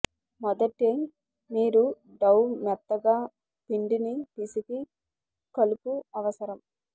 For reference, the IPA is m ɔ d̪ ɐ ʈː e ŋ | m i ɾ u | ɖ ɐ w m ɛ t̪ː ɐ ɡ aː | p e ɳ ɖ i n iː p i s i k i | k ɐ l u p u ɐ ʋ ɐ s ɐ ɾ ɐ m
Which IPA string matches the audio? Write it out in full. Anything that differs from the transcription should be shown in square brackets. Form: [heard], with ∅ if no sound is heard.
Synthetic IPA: m ɔ d̪ ɐ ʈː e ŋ | m [iː] ɾ u | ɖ ɐ w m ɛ t̪ː ɐ ɡ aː | p [i] ɳ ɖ i n [i] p i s i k i | k ɐ l u p u ɐ ʋ ɐ s ɐ ɾ ɐ m